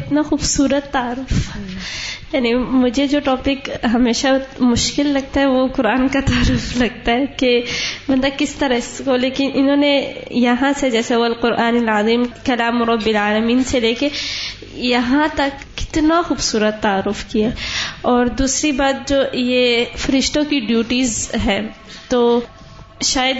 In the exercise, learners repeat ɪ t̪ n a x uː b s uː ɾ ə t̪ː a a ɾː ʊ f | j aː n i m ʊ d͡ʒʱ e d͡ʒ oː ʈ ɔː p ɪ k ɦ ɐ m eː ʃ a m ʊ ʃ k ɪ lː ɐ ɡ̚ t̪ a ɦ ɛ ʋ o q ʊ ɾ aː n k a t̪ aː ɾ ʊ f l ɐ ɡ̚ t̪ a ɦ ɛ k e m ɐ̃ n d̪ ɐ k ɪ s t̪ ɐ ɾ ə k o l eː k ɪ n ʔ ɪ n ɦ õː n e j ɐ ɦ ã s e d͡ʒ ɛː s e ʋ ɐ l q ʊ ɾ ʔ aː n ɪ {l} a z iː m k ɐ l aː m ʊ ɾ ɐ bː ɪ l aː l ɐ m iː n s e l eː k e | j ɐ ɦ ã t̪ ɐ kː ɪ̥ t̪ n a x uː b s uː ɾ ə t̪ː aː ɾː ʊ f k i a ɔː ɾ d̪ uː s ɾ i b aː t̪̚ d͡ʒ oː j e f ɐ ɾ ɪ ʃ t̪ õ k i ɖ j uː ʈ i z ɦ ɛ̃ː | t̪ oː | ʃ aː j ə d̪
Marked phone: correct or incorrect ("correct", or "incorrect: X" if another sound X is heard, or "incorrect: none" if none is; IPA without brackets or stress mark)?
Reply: correct